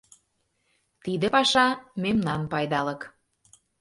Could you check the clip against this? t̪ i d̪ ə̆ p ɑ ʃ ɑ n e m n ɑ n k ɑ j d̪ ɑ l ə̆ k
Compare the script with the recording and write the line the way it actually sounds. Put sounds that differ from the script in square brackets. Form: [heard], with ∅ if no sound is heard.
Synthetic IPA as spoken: t̪ i d̪ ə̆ p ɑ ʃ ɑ [m] e m n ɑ n [p] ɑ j d̪ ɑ l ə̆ k